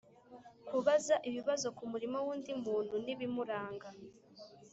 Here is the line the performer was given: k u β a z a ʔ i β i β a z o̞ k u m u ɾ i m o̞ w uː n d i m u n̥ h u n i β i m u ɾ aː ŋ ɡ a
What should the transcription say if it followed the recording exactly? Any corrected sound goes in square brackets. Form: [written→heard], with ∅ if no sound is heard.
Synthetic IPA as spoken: k u β a z a ʔ i β i β a z o̞ k u m u ɾ i m o̞ w uː n d i m [u→uː] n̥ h u n i β i m u ɾ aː ŋ ɡ a